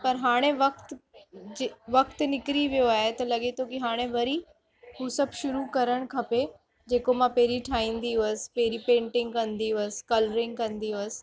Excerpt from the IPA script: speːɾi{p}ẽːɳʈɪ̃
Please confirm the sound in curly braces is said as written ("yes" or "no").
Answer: yes